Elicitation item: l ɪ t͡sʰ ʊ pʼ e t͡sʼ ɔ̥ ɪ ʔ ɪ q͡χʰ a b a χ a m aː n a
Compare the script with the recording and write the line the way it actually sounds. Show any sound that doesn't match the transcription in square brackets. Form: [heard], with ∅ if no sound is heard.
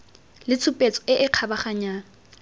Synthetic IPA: l ɪ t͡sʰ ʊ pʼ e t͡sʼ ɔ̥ ɪ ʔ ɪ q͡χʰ a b a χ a [ɲ] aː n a

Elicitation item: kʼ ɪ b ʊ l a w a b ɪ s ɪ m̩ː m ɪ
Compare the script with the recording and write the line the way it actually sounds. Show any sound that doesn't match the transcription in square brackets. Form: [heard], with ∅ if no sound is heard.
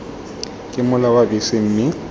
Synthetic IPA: kʼ ɪ [m] ʊ l a w a b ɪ s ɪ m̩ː m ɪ

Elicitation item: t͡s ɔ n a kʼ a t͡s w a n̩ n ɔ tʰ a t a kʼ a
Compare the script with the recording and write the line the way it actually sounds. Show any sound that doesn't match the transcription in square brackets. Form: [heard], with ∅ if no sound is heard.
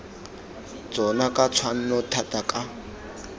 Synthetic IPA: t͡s ɔ n a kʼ a [t͡sʰ] w a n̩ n ɔ tʰ a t a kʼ a

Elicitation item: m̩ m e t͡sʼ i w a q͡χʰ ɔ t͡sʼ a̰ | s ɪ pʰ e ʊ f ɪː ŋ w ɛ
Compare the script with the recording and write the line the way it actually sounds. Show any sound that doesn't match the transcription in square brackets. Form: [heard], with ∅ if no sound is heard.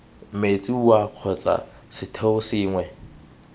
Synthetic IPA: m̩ m e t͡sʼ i w a q͡χʰ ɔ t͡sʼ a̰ | s ɪ [tʰ] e ʊ [s] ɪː ŋ w ɛ

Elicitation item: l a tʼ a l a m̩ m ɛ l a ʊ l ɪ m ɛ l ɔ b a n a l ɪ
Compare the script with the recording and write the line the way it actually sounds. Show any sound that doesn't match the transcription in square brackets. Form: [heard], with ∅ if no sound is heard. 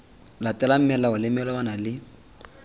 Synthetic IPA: l a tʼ [ɛ] l a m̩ m ɛ l a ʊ l ɪ m ɛ l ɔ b a n a l ɪ

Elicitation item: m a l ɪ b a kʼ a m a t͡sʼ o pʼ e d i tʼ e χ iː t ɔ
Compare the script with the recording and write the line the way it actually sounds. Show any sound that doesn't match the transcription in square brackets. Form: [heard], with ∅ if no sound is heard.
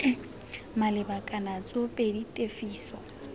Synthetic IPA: m a l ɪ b a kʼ a [n] a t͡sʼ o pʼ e d i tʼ e [f] iː [s] ɔ

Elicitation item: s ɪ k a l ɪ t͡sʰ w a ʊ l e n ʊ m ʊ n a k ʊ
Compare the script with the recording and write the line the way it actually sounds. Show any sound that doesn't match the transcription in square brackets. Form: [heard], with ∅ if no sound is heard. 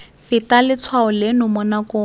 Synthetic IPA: [f] ɪ [t] a l ɪ t͡sʰ w a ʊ l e n ʊ m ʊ n a k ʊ

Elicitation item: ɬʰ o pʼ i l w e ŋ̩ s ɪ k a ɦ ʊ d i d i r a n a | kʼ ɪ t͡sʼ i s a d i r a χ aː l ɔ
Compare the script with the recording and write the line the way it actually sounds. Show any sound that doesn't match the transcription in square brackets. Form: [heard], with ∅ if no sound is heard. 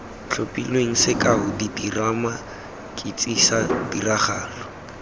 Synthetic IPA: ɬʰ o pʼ i l w e ŋ̩ s ɪ k a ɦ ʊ d i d i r a [m] a | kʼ ɪ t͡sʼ i s a d i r a χ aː l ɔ

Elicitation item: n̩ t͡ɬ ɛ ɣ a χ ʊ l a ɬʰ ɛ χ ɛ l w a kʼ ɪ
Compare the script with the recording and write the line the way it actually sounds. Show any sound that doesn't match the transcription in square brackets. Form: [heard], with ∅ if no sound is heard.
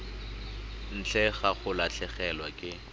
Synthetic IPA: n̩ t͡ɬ ɛ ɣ a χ ʊ l a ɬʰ ɛ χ ɛ l w a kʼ ɪ

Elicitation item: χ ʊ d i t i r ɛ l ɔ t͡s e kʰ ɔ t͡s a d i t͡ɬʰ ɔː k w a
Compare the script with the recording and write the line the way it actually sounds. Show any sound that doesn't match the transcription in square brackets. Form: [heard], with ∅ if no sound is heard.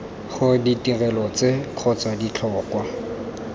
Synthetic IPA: χ ʊ d i t i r ɛ l ɔ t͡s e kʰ ɔ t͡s a d i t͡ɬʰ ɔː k w a

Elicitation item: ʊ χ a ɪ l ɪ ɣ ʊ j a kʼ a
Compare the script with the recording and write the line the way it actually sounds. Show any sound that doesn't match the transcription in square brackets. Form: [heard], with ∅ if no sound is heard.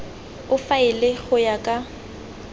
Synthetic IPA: ʊ [f] a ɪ l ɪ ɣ ʊ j a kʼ a

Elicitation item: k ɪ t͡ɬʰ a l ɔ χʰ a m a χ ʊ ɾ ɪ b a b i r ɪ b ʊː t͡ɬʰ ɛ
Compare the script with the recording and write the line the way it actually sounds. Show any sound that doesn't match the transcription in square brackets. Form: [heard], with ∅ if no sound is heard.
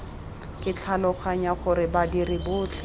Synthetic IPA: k ɪ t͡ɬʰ a l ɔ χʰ a [ɲ] a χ ʊ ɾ ɪ b a [d] i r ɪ b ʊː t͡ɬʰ ɛ

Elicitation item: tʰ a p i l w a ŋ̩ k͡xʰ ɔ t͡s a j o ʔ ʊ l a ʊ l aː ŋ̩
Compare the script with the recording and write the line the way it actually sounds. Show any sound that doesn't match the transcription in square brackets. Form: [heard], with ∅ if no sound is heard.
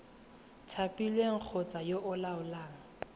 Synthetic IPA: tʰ a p i l w [e] ŋ̩ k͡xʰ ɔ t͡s a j o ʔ ʊ l a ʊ l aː ŋ̩

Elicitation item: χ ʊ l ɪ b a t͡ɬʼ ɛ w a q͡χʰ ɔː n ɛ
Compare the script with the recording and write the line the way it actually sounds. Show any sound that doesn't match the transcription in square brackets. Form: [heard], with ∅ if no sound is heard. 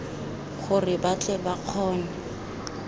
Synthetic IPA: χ ʊ [r] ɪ b a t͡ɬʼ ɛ [b] a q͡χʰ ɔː n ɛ

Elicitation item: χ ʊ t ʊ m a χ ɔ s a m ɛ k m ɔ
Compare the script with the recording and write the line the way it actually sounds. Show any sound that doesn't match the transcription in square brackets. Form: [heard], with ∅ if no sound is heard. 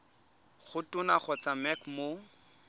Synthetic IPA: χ ʊ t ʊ [n] a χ ɔ [t͡s] a m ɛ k m [o]

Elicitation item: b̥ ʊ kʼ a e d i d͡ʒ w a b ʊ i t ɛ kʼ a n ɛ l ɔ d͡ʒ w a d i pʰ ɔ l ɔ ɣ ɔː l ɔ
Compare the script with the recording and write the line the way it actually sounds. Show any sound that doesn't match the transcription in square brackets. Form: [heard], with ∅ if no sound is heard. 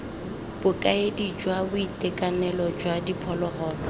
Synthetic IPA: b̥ ʊ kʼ a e d i d͡ʒ w a b ʊ i t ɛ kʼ a n ɛ l ɔ d͡ʒ w a d i pʰ ɔ l ɔ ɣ ɔː l ɔ

